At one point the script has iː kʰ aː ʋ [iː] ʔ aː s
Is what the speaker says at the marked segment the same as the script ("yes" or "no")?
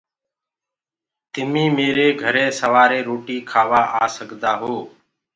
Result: no